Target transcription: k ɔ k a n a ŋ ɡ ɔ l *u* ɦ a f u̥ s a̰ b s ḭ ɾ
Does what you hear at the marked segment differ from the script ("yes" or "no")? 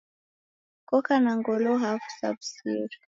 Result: yes